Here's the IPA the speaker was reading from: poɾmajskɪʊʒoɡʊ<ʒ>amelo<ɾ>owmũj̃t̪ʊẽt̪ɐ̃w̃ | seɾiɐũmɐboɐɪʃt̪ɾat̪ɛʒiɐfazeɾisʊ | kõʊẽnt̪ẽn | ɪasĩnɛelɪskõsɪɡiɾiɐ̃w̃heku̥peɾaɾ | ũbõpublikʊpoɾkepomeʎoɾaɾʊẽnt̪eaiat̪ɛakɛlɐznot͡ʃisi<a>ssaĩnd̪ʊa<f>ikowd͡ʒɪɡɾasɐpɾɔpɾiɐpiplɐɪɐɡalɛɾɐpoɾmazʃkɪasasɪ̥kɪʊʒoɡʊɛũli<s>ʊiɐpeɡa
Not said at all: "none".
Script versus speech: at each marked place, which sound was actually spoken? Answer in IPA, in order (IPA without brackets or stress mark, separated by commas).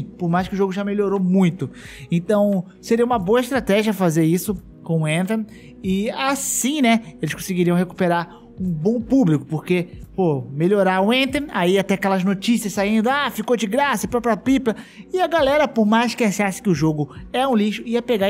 ʒ, ɾ, ɐ, f, ʃ